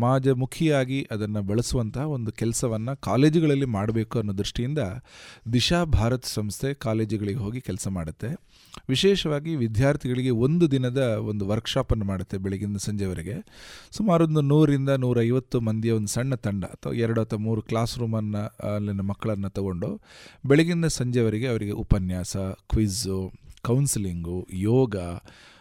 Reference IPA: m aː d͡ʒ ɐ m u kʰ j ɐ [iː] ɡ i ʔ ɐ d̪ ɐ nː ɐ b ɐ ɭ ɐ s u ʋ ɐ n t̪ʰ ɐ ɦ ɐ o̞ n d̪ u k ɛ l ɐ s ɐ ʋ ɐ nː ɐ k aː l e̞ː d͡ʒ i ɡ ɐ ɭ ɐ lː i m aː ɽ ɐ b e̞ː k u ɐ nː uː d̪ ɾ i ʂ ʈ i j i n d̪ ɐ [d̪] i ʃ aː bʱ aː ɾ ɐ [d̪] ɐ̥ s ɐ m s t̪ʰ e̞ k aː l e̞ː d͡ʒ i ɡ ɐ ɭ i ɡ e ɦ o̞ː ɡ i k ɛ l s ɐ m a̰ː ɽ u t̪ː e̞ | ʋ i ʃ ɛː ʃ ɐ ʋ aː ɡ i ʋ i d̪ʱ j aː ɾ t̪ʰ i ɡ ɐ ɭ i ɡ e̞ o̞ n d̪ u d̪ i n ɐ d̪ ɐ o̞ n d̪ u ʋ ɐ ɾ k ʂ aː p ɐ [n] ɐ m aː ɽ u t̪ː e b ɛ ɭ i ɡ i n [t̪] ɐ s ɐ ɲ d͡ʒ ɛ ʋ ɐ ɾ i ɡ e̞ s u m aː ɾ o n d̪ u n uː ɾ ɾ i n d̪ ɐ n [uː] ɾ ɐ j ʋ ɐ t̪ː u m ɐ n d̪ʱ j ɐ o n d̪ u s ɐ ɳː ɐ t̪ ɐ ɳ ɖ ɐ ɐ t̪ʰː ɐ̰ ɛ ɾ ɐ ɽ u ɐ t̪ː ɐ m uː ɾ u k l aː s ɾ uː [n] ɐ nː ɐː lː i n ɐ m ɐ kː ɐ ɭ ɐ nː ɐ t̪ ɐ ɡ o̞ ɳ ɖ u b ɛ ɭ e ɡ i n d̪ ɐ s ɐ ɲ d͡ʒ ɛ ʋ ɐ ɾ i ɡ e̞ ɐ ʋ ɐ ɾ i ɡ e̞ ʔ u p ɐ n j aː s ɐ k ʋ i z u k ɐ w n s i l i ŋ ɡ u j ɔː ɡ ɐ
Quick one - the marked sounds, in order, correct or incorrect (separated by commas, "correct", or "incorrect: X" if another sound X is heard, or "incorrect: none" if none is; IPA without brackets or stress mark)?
incorrect: aː, correct, incorrect: t̪, incorrect: nː, incorrect: d̪, correct, incorrect: m